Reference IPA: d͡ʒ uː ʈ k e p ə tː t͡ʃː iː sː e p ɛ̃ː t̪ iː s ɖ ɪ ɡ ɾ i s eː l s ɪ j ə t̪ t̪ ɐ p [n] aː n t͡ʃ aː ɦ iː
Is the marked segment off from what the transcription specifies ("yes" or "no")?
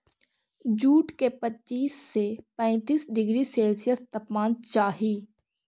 yes